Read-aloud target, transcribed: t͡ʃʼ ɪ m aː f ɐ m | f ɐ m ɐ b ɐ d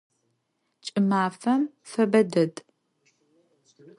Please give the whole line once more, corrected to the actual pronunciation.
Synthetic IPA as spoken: t͡ʃʼ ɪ m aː f ɐ m | f ɐ b ɐ d ɐ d